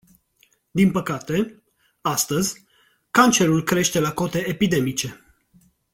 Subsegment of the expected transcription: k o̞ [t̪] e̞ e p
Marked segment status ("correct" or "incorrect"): correct